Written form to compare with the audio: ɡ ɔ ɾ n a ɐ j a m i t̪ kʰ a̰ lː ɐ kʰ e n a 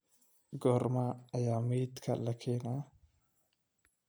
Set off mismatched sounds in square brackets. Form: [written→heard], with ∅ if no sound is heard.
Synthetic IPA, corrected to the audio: ɡ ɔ ɾ [n→m] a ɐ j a m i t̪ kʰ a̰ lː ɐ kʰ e n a